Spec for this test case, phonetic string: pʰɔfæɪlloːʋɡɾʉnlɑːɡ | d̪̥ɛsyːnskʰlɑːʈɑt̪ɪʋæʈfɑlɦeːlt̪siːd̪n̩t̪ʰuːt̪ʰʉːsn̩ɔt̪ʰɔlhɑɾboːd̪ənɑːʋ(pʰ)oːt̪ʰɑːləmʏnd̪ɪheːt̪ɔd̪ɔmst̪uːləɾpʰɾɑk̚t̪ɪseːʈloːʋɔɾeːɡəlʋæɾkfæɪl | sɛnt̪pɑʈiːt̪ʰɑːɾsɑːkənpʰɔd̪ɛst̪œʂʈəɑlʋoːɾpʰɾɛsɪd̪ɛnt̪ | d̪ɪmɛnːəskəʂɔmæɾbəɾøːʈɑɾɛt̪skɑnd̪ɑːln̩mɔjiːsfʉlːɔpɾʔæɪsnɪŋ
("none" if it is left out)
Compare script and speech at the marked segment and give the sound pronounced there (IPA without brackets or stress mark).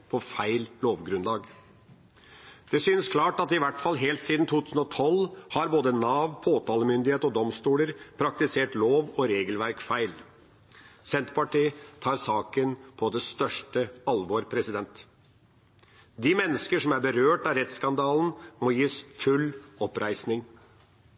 pʰ